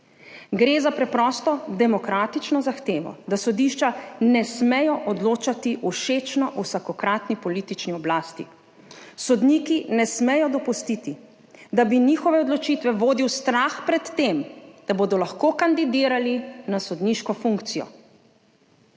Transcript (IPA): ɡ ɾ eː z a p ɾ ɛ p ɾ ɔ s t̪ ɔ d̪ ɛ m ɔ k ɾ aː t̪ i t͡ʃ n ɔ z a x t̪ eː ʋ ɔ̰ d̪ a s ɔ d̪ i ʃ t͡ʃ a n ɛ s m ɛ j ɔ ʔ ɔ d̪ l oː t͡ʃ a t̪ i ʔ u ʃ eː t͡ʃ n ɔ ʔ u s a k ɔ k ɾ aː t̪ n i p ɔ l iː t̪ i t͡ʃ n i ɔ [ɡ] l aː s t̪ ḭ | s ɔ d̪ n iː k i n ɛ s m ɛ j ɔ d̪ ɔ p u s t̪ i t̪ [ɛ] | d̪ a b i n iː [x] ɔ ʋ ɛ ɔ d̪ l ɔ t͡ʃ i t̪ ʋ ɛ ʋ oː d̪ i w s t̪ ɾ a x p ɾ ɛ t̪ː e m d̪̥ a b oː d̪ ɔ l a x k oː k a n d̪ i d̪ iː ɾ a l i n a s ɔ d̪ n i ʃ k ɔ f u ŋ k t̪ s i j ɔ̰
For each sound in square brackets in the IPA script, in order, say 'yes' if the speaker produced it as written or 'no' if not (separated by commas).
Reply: no, no, yes